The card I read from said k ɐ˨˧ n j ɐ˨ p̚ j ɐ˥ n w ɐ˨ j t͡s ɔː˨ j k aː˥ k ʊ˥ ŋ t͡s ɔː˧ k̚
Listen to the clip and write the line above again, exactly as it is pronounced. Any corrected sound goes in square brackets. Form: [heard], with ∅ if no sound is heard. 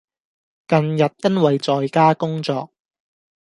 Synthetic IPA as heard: k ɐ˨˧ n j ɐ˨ [t̚] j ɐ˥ n w ɐ˨ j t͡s ɔː˨ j k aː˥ k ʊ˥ ŋ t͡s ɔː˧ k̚